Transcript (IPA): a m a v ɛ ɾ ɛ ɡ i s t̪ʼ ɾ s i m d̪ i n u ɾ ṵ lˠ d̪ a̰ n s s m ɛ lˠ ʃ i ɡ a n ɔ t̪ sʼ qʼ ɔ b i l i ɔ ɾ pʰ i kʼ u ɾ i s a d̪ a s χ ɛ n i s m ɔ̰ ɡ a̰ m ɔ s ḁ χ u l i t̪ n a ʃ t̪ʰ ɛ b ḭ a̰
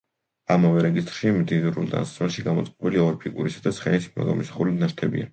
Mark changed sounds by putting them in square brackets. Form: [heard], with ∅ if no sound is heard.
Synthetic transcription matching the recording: a m a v ɛ ɾ ɛ ɡ i s t̪ʼ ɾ [ʃ] i m d̪ i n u ɾ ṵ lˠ d̪ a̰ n s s m ɛ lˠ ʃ i ɡ a [m] ɔ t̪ sʼ qʼ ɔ b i l i ɔ ɾ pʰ i kʼ u ɾ i s a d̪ a s χ ɛ n i s m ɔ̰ ɡ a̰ m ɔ s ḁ χ u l i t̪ n a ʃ t̪ʰ ɛ b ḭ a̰